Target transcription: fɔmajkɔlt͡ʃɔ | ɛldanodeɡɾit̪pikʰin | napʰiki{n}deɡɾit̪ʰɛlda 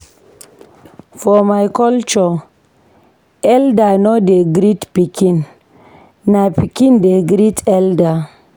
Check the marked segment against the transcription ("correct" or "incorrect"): correct